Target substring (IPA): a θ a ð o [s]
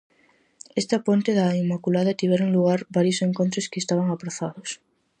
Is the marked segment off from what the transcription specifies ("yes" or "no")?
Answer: no